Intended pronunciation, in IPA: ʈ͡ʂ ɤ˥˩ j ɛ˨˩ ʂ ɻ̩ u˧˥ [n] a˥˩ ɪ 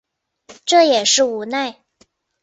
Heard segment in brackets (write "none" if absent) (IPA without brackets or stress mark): n